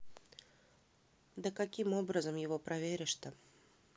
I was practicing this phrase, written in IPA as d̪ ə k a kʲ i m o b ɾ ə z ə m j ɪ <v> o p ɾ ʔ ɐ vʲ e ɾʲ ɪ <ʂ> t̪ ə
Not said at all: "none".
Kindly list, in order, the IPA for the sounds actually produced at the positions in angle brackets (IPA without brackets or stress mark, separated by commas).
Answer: v, ʂ